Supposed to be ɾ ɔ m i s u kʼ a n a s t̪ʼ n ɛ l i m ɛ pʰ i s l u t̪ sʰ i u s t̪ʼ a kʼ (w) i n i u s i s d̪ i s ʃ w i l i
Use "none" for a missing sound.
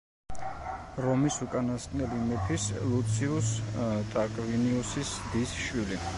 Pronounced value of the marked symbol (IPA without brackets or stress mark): v